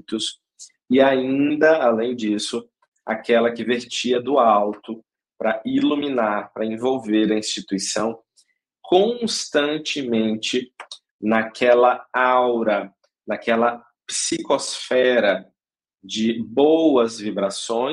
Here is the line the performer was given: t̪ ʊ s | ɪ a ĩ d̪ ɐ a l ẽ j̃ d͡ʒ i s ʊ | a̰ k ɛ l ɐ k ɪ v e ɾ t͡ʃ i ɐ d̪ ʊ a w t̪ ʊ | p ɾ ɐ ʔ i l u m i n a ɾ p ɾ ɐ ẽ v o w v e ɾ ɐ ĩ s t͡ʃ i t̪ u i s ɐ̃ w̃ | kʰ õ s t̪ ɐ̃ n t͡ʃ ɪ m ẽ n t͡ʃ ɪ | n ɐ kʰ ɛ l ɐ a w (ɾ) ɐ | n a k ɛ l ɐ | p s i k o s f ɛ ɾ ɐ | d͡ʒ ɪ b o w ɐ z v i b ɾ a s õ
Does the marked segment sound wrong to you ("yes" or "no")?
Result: no